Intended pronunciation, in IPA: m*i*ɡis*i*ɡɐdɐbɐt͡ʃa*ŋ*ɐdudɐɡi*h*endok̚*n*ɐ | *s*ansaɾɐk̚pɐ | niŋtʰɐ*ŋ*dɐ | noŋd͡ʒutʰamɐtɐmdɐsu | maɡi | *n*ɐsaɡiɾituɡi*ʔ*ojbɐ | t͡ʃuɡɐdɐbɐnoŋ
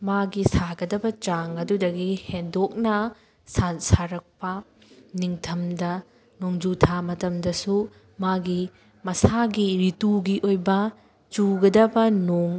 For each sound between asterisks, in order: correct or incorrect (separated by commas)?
incorrect, incorrect, correct, correct, correct, correct, incorrect, incorrect, correct